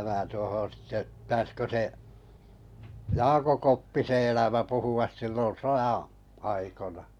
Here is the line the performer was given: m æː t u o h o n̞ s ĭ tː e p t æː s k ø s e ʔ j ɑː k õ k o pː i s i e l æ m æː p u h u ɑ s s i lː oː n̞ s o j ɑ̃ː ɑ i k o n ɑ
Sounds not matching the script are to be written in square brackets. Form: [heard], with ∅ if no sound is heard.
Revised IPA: m æː t u o h o n̞ s ĭ tː e p t æː s k ø s e ʔ j ɑː k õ k o pː i s [e] e l æ m [æ] p u h u ɑ s s i lː [o] n̞ s o j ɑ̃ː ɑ i k o n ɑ

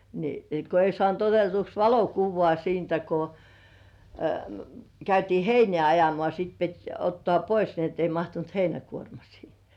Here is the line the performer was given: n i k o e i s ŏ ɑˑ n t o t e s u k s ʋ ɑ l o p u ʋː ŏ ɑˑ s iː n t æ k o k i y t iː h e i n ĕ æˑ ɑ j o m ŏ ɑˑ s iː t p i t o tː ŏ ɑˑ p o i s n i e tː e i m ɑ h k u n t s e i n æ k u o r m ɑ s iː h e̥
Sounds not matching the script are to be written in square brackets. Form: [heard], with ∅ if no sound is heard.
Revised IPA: n i k o e i s ŏ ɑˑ n t o t e [t] u k s ʋ ɑ l o [k] u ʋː ŏ ɑˑ s iː n t æ k o k [æ] y t iː h e i n ĕ æˑ ɑ j o m ŏ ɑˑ s iː t p i t o tː ŏ ɑˑ p o i s n i e tː e i m ɑ h [t] u n t [h] e i n æ k u o r m ɑ s iː h e̥

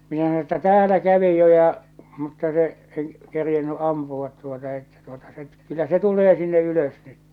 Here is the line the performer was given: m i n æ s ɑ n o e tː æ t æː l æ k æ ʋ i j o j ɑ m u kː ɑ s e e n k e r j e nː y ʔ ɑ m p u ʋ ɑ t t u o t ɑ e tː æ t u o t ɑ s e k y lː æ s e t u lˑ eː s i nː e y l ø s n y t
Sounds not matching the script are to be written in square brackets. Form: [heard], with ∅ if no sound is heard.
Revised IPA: m i n æ s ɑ n o e tː æ t æː l æ k æ ʋ i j o j ɑ m u [tː] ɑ s e e n k e r j e nː y ʔ ɑ m p u ʋ ɑ t t u o t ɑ e tː æ t u o t ɑ s e k y lː æ s e t u lˑ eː s i nː e y l ø s n y t

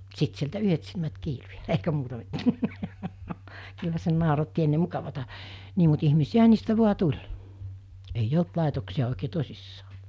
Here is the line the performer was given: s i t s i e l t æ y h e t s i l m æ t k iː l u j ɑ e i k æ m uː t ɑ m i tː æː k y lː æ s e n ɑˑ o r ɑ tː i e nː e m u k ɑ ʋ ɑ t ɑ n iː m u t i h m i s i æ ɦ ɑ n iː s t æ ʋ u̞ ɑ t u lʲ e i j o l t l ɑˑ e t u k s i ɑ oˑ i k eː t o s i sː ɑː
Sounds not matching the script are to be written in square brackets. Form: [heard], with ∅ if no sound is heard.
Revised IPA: s i t s i e l t æ y h e t s i l m æ t k iː l u j ɑ e i k æ m uː t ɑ m i tː æː k y lː æ s e n ɑˑ o r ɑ tː i e nː e m u k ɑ ʋ ɑ t ɑ n iː m u t i h m i s i æ ɦ ɑ n iː s t æ ʋ u̞ ɑ t u lʲ e i j o l t l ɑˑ e t [o] k s i ɑ oˑ i k eː t o s i sː ɑː

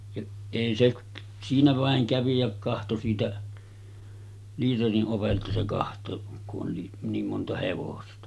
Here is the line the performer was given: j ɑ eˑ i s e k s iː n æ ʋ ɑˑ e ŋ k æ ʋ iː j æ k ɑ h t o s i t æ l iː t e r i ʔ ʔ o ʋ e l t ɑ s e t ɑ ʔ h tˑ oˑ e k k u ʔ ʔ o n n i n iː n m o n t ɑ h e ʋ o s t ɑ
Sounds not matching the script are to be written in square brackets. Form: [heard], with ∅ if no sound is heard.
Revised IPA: j ɑ eˑ i s e k s iː n æ ʋ ɑˑ e ŋ k æ ʋ [i] j æ k ɑ h t o s [iː] t æ l iː t e r i ʔ ʔ o ʋ e l t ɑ s e [k] ɑ [∅] h tˑ oˑ e k k u ʔ ʔ o n n i n iː [m] m o n t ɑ h e ʋ o s t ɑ

